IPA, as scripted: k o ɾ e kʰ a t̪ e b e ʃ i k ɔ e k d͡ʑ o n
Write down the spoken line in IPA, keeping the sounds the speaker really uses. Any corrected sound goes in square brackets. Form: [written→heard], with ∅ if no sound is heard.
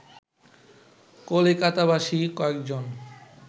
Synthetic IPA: k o [ɾ→l] e [kʰ→k] a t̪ [e→a] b [e→a] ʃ i k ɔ e k d͡ʑ o n